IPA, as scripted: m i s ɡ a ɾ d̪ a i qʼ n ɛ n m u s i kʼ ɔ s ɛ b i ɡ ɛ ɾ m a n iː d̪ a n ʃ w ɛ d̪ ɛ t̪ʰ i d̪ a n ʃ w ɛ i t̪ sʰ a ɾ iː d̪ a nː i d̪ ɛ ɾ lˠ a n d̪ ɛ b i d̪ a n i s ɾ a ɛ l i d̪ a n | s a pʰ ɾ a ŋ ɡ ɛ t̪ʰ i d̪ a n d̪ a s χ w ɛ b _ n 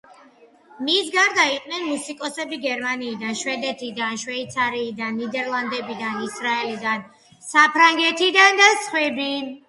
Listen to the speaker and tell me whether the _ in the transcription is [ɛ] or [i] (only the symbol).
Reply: i